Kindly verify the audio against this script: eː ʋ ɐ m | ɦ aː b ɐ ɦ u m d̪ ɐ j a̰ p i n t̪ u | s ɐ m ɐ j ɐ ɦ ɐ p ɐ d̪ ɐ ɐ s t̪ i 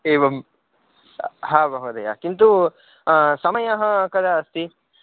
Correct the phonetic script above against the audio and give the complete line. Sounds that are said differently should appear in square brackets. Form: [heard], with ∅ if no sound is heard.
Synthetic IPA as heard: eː ʋ ɐ m | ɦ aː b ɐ ɦ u [∅] d̪ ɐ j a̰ [k] i n t̪ u | s ɐ m ɐ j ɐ ɦ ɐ [k] ɐ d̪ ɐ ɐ s t̪ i